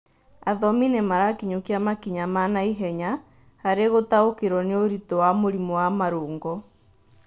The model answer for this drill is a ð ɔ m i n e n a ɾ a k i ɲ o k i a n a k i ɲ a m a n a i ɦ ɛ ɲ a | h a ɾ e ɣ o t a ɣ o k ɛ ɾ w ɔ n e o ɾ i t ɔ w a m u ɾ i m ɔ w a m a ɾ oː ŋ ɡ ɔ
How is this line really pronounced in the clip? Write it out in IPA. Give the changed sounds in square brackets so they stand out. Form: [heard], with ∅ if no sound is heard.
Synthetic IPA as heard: a ð ɔ m i n e [m] a ɾ a k i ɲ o k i a [m] a k i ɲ a m a n a i ɦ ɛ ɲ a | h a ɾ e ɣ o t a [∅] o k [e] ɾ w ɔ n e o ɾ i t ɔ w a m [o] ɾ i m ɔ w a m a ɾ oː ŋ ɡ ɔ